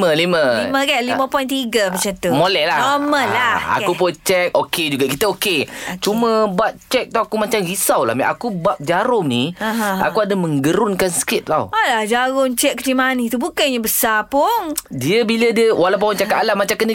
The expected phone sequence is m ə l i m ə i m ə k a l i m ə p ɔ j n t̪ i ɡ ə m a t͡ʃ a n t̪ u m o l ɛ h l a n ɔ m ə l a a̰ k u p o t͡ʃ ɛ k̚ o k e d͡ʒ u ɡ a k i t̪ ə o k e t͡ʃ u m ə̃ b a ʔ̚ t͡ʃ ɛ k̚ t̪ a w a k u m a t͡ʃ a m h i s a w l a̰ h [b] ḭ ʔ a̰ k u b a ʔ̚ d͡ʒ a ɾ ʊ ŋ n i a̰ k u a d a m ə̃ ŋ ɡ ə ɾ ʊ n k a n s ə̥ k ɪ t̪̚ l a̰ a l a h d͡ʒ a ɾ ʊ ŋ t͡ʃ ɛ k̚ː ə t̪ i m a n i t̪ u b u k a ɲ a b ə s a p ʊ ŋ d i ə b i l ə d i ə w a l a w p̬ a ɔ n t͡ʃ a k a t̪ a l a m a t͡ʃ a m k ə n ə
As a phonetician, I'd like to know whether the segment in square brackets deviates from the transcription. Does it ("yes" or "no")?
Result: yes